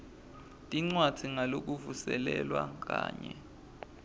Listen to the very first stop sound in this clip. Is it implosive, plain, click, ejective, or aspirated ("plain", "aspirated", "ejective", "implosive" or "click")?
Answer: ejective